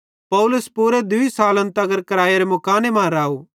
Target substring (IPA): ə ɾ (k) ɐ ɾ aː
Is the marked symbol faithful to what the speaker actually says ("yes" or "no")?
yes